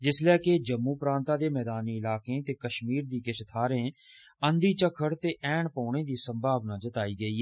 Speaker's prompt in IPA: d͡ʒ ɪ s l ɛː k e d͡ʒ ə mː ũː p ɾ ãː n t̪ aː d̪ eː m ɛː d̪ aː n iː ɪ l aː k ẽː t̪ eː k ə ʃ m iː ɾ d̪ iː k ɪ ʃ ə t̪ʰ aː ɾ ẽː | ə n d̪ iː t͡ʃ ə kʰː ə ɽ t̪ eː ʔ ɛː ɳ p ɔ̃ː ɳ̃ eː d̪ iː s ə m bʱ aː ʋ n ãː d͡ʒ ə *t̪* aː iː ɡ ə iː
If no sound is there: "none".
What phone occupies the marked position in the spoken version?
t̪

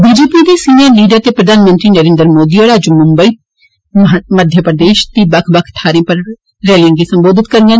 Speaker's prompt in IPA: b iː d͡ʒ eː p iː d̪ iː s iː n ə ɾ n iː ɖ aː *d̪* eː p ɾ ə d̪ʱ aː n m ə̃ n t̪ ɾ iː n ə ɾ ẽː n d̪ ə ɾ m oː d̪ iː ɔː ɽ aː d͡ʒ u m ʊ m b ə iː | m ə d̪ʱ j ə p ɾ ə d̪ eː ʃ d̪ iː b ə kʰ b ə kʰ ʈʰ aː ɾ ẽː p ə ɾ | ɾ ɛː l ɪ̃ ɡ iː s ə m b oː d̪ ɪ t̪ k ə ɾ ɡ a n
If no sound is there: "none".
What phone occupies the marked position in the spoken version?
t̪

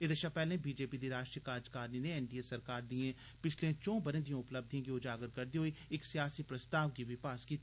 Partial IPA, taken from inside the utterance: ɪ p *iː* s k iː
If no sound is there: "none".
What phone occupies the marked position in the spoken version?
aː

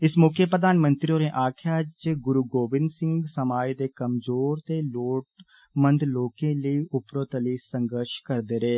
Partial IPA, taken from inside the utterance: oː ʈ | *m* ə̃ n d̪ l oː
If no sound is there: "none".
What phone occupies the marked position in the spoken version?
m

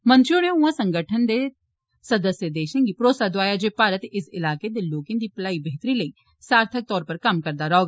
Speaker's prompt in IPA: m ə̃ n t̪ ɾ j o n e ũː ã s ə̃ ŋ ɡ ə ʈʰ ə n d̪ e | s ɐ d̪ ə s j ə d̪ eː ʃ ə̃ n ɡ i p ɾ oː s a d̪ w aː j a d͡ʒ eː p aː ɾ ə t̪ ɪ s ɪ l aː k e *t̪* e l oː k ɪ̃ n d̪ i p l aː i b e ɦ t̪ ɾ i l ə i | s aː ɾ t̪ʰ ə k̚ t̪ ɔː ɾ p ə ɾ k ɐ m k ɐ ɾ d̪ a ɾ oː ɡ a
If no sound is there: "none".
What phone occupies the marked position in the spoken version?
d̪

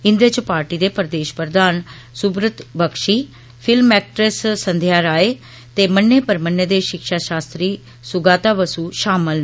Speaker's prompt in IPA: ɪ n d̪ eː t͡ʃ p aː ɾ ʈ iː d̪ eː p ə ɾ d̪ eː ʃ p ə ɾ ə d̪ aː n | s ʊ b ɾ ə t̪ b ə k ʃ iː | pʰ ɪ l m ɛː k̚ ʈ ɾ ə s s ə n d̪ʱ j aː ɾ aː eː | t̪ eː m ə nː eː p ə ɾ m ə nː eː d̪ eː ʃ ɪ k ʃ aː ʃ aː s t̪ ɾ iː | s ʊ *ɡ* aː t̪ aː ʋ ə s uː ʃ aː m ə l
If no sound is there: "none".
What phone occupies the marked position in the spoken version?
ɡ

